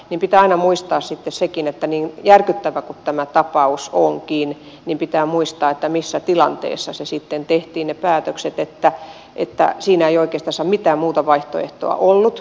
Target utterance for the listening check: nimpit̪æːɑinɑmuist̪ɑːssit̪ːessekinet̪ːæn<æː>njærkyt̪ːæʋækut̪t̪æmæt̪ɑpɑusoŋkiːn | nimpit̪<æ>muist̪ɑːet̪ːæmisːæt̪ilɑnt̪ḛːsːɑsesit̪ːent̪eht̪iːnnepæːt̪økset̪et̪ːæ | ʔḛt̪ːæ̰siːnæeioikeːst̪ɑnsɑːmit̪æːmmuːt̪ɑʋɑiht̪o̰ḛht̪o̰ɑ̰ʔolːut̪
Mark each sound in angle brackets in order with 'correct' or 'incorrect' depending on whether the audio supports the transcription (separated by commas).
incorrect, incorrect